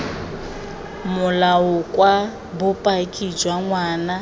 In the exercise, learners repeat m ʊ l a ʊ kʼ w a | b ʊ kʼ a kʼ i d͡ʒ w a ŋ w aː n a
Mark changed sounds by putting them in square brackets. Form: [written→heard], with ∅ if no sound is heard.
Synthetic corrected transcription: m ʊ l a ʊ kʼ w a | b ʊ [kʼ→pʼ] a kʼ i d͡ʒ w a ŋ w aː n a